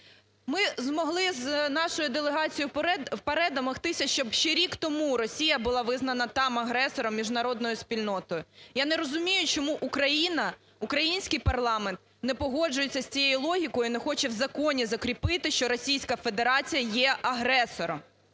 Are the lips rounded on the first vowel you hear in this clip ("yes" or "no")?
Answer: no